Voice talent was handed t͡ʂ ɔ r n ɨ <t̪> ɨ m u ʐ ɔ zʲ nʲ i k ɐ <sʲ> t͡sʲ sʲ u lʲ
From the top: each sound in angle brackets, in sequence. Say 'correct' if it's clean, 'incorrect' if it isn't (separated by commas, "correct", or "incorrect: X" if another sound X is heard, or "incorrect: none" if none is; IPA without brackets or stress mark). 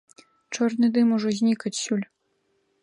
incorrect: d̪, incorrect: none